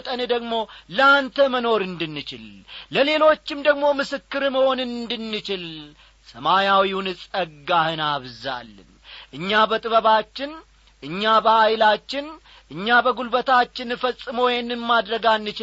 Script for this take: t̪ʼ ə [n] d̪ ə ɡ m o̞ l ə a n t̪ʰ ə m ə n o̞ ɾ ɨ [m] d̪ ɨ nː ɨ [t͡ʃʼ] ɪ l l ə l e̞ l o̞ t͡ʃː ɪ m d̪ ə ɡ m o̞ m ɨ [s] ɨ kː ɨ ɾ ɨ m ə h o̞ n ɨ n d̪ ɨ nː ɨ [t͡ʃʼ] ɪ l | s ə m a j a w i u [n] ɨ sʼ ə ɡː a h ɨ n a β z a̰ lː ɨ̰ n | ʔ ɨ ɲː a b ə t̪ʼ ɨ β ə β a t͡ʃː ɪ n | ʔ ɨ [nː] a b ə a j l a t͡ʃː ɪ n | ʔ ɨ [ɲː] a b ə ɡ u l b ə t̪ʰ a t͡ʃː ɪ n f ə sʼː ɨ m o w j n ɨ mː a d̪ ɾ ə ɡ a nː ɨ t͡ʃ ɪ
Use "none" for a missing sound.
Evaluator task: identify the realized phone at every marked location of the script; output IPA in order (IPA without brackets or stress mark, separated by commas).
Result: n, n, t͡ʃ, s, t͡ʃ, n, ɲː, ɲː